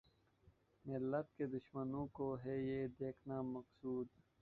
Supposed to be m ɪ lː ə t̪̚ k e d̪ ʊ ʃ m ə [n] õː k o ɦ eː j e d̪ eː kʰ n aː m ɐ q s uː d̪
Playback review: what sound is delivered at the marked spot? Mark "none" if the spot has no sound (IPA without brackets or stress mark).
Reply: n